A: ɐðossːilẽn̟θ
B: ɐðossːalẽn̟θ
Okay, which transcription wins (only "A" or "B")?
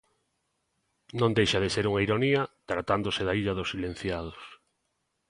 A